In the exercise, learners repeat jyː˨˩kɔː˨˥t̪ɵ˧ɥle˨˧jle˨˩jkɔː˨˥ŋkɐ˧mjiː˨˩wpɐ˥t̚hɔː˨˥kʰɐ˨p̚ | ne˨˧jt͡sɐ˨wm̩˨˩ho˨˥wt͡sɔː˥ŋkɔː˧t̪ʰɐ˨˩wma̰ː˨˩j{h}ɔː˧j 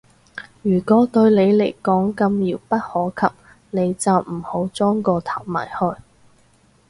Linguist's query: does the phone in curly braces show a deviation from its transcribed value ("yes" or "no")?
no